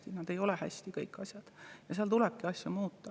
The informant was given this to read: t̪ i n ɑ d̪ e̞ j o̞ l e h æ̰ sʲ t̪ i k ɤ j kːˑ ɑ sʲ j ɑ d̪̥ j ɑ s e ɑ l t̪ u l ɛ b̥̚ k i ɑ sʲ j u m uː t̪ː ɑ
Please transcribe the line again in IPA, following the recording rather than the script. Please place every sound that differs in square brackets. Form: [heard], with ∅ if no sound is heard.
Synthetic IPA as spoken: t̪ i n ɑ d̪ e̞ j o̞ l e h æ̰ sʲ t̪ i k ɤ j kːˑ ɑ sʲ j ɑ d̪̥ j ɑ s e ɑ l t̪ u l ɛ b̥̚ k i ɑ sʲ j u m uː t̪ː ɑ